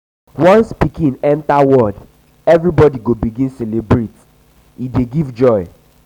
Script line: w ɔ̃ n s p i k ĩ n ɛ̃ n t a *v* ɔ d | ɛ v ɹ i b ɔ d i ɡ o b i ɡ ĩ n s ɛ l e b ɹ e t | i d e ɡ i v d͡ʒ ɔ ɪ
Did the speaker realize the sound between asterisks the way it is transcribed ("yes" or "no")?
no